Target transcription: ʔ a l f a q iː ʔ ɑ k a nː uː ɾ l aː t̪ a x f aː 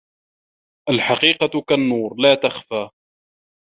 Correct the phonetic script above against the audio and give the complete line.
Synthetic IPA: ʔ a l ħ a q iː q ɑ k a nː uː ɾ l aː t̪ a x f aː